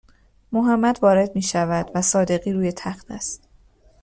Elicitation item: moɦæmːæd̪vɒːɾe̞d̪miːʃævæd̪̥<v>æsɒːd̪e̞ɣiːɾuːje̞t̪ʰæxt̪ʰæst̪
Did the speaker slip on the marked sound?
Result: no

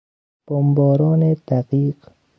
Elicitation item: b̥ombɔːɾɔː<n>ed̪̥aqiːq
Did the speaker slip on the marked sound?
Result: no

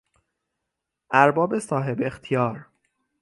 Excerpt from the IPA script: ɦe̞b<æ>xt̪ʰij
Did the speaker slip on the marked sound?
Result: yes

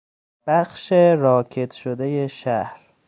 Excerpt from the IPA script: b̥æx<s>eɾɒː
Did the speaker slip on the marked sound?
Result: yes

